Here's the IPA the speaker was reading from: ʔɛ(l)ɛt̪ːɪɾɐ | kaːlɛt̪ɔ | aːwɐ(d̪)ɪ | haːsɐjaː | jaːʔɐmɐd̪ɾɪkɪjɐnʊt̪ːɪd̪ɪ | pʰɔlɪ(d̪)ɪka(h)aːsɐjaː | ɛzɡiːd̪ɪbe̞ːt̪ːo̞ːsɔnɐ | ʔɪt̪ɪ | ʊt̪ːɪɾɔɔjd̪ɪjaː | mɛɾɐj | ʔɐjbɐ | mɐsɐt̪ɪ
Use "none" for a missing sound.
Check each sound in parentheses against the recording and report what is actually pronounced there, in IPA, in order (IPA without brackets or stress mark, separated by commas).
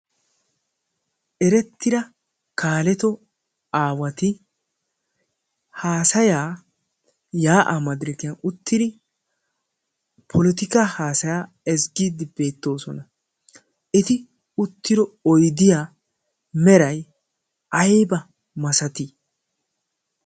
ɾ, t̪, t̪, h